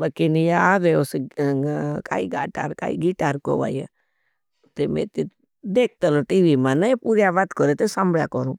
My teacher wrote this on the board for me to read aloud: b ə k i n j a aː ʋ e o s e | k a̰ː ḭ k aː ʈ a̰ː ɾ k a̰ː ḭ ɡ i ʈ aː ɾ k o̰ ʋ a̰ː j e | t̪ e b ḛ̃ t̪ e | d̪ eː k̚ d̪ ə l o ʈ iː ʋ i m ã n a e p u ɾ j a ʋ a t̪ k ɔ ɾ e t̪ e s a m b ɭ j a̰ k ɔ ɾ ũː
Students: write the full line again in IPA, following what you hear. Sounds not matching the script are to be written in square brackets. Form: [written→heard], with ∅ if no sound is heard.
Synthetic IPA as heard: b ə k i n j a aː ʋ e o s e | k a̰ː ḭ [k→ɡ] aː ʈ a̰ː ɾ k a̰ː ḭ ɡ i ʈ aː ɾ k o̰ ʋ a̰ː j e | t̪ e [b→m] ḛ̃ t̪ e | d̪ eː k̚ [d̪→t̪] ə l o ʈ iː ʋ i m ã n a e p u ɾ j a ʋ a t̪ k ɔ ɾ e t̪ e s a m b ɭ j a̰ k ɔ ɾ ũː